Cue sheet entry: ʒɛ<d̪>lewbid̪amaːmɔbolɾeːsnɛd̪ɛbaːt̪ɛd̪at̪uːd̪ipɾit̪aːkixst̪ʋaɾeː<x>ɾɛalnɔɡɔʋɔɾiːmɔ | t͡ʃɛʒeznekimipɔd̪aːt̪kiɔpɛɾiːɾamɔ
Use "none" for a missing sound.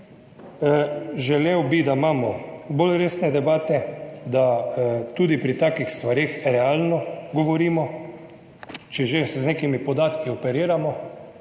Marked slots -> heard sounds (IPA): none, x

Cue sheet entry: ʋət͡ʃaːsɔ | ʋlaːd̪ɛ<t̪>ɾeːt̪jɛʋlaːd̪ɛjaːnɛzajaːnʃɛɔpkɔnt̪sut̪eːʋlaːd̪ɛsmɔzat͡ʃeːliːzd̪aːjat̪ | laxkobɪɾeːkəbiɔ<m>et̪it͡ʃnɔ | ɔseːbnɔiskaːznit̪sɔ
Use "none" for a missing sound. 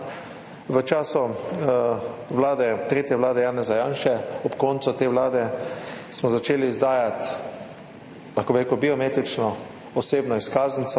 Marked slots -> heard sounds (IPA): t̪, m

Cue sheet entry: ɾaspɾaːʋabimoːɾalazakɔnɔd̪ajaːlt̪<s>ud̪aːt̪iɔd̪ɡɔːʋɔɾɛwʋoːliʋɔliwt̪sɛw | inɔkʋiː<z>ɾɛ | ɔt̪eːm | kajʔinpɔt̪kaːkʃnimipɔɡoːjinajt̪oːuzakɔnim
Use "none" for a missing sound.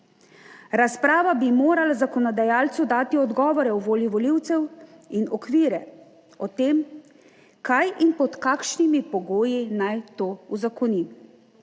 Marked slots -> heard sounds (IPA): s, none

